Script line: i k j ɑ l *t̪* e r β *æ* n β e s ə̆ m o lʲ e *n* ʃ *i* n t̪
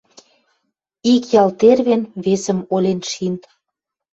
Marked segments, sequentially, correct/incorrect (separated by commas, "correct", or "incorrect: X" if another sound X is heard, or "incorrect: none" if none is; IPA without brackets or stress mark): correct, incorrect: e, correct, correct